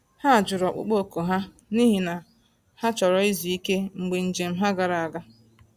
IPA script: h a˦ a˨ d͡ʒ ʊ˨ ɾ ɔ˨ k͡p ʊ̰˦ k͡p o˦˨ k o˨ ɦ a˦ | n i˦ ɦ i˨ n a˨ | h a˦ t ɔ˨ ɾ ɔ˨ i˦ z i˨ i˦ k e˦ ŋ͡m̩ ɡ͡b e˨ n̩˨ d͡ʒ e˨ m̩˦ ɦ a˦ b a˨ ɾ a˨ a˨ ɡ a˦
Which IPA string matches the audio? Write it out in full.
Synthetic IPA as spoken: h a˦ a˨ d͡ʒ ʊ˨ ɾ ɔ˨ k͡p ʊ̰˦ k͡p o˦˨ k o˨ ɦ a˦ | n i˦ ɦ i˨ n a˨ | h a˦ t͡ʃ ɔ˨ ɾ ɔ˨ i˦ z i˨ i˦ k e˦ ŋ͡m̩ ɡ͡b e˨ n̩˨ d͡ʒ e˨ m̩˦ ɦ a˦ ɡ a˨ ɾ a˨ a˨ ɡ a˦